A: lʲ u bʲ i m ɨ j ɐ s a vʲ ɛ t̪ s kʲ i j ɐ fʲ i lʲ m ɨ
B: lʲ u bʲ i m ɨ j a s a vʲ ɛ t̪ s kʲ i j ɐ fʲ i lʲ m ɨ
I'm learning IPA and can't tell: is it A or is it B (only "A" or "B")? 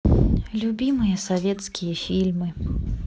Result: A